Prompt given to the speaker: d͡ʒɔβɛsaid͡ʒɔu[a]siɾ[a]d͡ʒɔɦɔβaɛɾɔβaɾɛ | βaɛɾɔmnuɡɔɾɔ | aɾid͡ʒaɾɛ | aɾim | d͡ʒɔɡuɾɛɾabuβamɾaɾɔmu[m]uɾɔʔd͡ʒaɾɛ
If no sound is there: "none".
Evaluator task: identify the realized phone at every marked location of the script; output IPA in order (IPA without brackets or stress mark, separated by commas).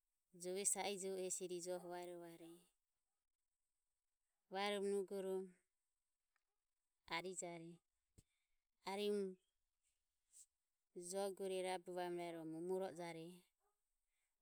ɛ, i, m